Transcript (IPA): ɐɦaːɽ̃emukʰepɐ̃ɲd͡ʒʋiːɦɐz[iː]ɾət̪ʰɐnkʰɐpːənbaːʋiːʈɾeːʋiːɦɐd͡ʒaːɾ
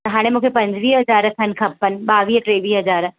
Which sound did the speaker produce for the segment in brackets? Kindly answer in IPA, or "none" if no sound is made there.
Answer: aː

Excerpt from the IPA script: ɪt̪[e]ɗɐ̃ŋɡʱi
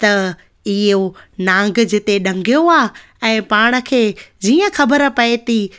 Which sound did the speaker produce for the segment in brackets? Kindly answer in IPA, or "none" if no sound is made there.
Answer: e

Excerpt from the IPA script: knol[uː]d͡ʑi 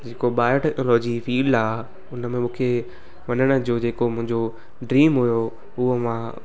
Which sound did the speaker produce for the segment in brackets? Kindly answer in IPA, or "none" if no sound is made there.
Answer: ɔː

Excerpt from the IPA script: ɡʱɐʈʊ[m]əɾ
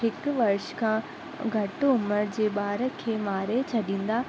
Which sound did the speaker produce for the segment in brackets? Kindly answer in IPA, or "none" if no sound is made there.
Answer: m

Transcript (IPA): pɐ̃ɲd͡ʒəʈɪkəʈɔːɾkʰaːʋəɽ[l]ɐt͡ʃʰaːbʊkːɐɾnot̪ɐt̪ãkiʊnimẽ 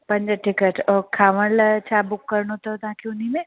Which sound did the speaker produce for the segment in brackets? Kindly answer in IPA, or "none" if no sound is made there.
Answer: l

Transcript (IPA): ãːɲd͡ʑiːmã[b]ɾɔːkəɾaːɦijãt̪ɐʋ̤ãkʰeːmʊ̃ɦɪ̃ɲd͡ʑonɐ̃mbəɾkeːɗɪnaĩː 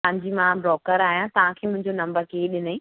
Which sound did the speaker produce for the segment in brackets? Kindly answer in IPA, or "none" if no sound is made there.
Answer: b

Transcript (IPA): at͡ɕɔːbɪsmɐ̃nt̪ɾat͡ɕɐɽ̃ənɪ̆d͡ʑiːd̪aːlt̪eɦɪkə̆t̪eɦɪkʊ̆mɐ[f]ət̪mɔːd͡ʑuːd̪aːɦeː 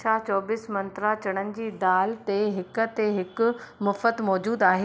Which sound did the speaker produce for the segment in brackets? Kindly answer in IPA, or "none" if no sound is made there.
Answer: f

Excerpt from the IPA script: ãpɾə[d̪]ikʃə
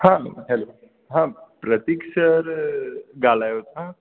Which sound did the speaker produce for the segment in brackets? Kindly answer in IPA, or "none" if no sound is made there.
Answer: t̪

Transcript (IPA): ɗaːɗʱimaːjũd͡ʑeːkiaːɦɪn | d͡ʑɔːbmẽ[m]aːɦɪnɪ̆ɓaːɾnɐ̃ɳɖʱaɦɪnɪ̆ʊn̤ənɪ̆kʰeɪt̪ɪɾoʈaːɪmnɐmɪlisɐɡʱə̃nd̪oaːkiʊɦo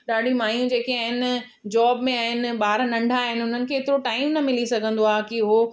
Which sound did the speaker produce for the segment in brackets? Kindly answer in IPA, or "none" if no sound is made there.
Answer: none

